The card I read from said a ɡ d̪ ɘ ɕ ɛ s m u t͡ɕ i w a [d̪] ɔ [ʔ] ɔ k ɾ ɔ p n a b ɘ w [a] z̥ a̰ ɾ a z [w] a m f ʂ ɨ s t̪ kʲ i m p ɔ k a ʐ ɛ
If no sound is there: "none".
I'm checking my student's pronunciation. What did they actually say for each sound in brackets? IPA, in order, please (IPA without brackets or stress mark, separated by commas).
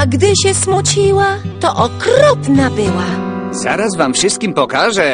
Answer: t̪, ʔ, a, v